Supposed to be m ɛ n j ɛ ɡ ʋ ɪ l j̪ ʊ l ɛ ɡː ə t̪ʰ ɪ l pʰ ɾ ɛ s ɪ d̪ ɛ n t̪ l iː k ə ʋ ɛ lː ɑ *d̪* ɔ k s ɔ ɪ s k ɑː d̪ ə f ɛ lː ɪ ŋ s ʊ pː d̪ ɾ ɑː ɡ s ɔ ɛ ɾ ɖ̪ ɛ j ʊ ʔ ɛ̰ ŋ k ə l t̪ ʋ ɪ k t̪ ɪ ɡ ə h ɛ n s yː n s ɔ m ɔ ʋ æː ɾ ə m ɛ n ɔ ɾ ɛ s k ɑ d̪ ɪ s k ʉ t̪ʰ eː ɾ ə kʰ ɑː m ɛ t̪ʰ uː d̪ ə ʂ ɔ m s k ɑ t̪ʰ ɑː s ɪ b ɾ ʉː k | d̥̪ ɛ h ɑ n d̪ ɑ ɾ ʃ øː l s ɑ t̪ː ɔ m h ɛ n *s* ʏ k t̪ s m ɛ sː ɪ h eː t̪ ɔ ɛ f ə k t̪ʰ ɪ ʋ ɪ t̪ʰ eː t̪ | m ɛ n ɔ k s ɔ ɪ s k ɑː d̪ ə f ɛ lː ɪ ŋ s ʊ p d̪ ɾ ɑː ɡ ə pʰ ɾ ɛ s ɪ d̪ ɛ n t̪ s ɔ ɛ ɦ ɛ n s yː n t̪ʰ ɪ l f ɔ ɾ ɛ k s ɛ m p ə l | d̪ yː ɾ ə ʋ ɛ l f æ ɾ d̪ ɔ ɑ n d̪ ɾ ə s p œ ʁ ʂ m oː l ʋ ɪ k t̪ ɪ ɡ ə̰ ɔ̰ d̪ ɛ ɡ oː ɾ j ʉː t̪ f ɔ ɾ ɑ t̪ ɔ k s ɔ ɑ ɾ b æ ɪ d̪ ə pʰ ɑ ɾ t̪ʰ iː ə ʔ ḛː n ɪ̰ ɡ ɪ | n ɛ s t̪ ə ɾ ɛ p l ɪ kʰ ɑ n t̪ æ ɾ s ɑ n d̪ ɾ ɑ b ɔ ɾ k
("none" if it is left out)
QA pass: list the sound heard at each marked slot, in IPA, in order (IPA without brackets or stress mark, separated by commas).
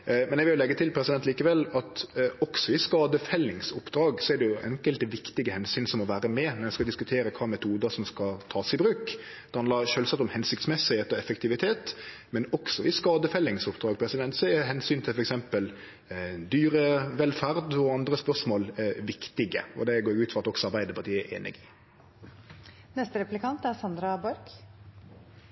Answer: t̪, s